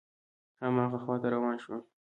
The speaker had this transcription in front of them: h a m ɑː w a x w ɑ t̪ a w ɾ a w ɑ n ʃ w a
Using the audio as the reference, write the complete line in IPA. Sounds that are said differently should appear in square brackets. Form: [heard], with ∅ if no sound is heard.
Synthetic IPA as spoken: h a m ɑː [ɣ] a x w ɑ t̪ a [∅] ɾ a w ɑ n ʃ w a